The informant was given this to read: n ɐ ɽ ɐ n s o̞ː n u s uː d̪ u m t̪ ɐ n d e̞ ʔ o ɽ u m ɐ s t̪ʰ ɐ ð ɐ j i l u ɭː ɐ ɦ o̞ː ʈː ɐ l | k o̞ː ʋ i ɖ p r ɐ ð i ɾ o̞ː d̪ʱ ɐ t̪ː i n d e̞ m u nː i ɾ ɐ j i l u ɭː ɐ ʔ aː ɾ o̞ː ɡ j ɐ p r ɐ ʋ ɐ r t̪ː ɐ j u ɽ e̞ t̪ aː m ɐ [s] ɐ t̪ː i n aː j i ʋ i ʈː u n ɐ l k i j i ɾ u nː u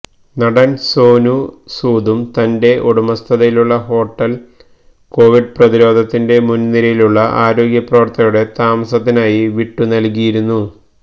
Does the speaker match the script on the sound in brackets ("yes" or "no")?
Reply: yes